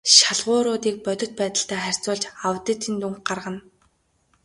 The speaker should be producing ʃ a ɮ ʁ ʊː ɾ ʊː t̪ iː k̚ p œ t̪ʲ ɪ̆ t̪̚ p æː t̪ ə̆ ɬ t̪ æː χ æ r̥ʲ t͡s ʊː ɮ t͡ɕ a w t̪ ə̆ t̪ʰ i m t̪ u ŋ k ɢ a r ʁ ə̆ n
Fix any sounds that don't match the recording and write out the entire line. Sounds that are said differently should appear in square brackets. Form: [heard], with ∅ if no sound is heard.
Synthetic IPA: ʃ a ɮ ʁ ʊː ɾ ʊː t̪ iː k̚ p œ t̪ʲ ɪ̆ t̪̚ p æː t̪ ə̆ ɬ t̪ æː χ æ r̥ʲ t͡s ʊː ɮ t͡ɕ a w t̪ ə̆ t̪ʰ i [n] t̪ u ŋ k ɢ a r ʁ ə̆ n